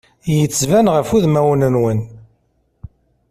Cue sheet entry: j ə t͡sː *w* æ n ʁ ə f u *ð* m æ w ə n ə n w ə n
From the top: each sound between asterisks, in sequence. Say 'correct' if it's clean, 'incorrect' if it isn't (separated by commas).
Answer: incorrect, correct